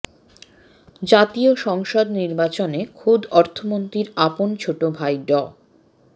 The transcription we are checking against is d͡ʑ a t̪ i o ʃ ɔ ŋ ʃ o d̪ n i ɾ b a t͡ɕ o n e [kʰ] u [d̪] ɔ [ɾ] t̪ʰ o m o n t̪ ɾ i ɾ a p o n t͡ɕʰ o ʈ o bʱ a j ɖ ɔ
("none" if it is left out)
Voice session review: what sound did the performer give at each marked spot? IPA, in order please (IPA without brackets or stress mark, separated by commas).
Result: kʰ, d̪, ɾ